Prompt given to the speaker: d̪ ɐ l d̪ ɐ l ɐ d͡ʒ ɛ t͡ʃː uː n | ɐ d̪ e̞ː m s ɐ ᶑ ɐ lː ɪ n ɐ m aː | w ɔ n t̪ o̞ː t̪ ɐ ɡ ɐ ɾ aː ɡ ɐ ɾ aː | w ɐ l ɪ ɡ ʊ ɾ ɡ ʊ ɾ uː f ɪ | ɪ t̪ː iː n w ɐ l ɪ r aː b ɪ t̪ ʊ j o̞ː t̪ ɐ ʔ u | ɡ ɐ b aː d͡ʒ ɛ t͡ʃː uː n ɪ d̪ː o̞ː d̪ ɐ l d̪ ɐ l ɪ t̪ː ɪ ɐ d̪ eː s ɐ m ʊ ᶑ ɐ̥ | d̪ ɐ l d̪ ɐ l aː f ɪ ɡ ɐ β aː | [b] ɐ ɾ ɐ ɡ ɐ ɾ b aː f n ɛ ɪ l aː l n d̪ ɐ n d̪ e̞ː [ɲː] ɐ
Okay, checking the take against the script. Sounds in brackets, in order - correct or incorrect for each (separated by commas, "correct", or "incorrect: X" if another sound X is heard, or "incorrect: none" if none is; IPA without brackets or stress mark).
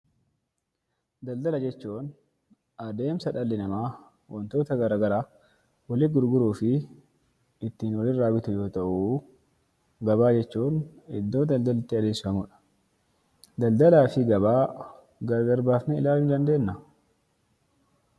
incorrect: ɡ, incorrect: nː